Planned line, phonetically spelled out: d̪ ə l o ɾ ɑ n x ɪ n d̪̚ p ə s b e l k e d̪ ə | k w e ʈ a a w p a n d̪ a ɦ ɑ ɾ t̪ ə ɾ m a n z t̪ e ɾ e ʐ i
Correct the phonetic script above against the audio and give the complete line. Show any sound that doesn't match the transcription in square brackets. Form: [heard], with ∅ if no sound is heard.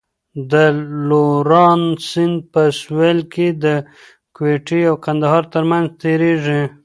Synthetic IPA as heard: d̪ ə l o ɾ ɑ n [s] ɪ n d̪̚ p ə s [w] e l k e d̪ ə | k w e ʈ [i] a w [k] a n d̪ a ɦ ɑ ɾ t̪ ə ɾ m a n z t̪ e ɾ e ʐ i